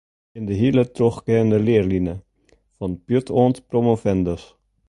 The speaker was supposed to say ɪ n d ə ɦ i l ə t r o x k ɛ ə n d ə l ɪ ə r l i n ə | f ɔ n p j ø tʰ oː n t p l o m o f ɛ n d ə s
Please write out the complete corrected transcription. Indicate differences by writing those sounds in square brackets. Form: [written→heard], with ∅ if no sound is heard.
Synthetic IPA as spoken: ɪ n d ə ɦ i l ə t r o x k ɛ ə n d ə l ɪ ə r l i n ə | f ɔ n p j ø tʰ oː n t p [l→r] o m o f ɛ n d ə s

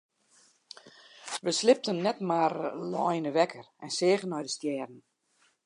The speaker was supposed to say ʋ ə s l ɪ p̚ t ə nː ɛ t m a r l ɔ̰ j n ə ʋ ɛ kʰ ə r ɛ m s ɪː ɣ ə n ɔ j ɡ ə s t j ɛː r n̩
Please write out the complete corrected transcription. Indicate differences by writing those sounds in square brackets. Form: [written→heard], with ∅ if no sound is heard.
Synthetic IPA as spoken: ʋ ə s l ɪ p̚ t ə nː ɛ t m a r l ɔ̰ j n ə ʋ ɛ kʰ ə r ɛ [m→n] s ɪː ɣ ə n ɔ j [ɡ→d] ə s t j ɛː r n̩

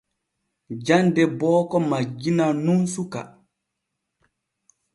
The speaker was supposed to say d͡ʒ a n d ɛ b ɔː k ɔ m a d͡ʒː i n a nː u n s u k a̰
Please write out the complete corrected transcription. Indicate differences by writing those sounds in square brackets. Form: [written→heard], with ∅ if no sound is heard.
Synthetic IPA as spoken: d͡ʒ a n d ɛ b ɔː k ɔ m a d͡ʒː i n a [nː→n] u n s u k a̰

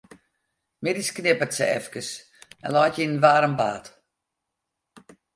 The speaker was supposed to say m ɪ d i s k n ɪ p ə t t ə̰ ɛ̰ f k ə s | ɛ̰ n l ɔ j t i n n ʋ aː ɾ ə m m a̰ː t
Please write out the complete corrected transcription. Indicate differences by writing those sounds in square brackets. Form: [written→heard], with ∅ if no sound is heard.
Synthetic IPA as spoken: m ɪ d i s k n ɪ p ə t [t→s] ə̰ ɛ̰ f k ə s | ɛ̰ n l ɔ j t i n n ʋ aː ɾ ə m [m→b] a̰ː t

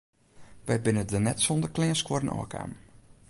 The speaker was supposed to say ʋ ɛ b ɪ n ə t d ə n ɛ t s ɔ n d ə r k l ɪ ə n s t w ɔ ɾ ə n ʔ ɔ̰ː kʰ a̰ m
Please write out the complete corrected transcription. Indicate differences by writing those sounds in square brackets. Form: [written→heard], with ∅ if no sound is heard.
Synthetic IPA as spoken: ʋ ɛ b ɪ n ə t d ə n ɛ t s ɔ n d ə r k l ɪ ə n s [t→k] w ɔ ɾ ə n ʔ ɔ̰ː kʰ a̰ m

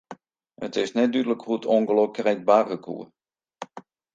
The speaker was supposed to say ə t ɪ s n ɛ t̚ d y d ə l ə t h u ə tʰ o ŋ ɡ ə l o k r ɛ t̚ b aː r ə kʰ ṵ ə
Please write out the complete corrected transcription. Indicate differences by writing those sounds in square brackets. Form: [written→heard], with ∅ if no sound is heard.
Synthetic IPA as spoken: ə t ɪ s n ɛ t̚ d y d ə l ə [t→k] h u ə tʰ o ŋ ɡ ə l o k r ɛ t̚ b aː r ə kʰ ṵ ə

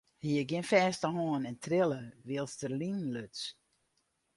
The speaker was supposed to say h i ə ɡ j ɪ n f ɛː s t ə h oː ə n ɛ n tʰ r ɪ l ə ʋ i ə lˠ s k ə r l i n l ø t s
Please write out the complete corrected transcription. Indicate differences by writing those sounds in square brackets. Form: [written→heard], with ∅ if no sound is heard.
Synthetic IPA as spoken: h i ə ɡ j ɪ n f ɛː s t ə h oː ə n ɛ n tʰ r ɪ l ə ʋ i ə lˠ s [k→t] ə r l i n l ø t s

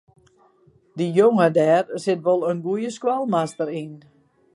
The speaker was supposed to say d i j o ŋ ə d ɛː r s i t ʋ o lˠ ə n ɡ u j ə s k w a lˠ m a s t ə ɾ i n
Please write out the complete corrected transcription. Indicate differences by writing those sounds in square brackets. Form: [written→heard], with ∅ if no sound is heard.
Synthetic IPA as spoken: d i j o ŋ ə d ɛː r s [i→ɪ] t ʋ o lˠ ə n ɡ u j ə s k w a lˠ m a s t ə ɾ i n

